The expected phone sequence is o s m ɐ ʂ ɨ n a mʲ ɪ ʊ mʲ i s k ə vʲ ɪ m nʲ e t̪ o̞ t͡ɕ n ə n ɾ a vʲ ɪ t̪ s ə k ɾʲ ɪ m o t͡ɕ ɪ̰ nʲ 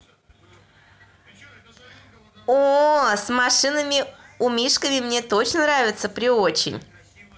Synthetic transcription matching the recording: o s m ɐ ʂ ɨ n ə mʲ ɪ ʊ mʲ i ʂ k ə vʲ ɪ m nʲ e t̪ o̞ t͡ɕ n ə n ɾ a vʲ ɪ t̪ s ə p ɾʲ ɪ o t͡ɕ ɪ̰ nʲ